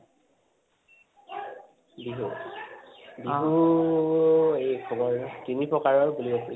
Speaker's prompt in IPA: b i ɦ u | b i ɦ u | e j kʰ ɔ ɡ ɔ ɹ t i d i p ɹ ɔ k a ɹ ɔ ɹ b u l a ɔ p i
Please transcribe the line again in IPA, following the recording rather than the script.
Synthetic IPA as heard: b i ɦ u | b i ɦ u | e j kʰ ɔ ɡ ɔ ɹ t i n i p ɹ ɔ k a ɹ ɔ ɹ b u l i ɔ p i